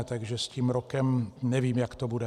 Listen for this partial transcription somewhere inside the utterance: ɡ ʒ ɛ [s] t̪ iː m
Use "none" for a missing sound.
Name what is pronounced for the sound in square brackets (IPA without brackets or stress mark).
s